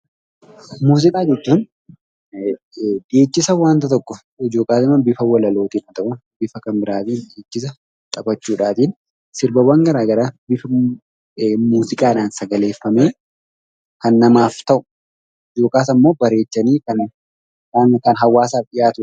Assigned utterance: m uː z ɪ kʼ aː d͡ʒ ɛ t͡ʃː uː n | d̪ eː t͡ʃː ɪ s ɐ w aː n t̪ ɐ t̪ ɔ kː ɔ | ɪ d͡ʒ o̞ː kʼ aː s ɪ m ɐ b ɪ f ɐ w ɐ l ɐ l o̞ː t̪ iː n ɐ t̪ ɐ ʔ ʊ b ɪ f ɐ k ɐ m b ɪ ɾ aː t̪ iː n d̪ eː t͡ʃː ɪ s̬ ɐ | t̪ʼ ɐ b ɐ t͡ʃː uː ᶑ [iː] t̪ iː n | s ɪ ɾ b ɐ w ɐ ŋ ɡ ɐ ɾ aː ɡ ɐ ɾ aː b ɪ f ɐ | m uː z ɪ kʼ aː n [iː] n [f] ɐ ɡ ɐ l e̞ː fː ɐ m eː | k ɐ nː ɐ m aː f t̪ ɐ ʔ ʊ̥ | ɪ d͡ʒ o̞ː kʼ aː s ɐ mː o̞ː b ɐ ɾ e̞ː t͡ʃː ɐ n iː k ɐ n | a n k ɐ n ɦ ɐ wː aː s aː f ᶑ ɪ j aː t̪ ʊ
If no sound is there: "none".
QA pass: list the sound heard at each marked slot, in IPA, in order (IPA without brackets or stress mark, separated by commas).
aː, aː, s